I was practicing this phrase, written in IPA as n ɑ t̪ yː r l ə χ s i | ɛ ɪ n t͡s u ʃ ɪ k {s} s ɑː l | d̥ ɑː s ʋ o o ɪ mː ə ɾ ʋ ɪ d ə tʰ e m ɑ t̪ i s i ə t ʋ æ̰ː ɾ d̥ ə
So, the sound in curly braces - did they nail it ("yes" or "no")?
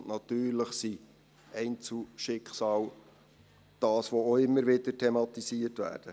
no